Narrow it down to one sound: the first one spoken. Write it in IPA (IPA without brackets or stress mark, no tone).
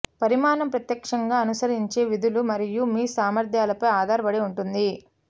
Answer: p